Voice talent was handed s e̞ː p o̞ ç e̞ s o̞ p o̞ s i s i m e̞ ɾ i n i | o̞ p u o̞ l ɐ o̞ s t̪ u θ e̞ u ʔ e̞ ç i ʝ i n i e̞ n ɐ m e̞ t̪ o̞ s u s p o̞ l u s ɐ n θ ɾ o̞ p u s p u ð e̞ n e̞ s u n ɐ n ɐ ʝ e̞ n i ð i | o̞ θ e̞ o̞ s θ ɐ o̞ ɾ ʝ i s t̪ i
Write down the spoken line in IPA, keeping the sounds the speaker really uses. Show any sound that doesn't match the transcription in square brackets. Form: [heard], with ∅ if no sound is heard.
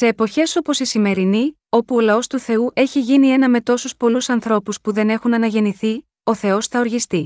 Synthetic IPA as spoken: s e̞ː p o̞ ç e̞ s o̞ p o̞ s i s i m e̞ ɾ i n i | o̞ p u o̞ l ɐ o̞ s t̪ u θ e̞ u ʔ e̞ ç i ʝ i n i e̞ n ɐ m e̞ t̪ o̞ s u s p o̞ l u s ɐ n θ ɾ o̞ p u s p u ð e̞ n e̞ [x] u n ɐ n ɐ ʝ e̞ n i [θ] i | o̞ θ e̞ o̞ s θ ɐ o̞ ɾ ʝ i s t̪ i